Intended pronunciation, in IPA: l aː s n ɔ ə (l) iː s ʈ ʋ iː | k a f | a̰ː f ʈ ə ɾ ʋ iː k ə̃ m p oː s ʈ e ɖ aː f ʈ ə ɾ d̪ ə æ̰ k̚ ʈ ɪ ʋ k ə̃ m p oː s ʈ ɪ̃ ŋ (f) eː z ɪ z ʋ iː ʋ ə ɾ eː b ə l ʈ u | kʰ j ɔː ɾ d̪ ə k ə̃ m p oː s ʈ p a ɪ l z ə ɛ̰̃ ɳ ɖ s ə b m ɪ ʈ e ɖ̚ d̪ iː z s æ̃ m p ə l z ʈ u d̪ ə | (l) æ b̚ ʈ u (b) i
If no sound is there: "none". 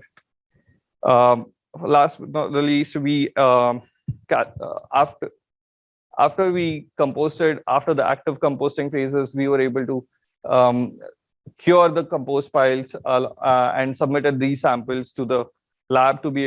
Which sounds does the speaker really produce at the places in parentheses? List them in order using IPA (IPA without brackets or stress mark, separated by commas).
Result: l, f, l, b